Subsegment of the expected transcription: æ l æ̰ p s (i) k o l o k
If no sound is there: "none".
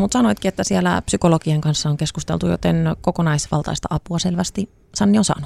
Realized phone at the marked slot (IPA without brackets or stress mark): y